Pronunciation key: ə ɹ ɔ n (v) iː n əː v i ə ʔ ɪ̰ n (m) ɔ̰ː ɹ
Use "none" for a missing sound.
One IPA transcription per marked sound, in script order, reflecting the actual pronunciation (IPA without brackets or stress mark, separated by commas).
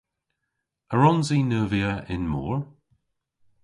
z, m